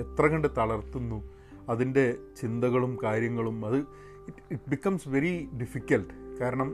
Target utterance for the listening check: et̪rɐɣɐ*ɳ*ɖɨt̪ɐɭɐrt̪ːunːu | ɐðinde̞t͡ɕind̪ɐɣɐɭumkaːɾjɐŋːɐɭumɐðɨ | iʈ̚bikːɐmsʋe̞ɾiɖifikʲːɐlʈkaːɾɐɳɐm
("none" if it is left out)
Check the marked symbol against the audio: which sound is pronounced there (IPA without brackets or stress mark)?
ɳ